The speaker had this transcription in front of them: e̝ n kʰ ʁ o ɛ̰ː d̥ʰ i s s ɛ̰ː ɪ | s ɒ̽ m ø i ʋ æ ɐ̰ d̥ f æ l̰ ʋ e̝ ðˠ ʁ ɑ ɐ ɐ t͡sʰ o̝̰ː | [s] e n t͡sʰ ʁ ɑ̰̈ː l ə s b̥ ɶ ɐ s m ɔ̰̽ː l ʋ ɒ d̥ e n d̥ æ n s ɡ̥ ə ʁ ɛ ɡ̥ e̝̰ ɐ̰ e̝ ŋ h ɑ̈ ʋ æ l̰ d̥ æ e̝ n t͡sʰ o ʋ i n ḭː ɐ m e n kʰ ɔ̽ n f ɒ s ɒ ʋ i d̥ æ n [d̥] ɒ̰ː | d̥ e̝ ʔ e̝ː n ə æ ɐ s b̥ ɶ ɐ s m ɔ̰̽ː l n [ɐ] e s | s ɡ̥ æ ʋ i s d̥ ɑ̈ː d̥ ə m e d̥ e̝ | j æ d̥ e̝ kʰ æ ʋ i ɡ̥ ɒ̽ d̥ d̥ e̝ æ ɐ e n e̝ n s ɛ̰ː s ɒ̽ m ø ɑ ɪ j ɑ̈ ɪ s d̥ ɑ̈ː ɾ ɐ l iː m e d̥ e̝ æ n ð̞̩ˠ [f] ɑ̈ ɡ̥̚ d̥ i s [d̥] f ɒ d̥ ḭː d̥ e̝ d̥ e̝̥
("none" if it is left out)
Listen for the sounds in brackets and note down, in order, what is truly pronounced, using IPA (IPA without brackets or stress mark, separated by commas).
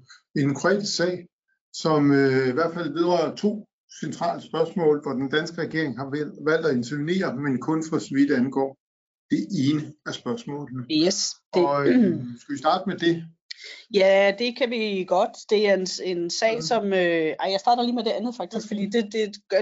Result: s, ɡ̥, ə, f, ɡ̥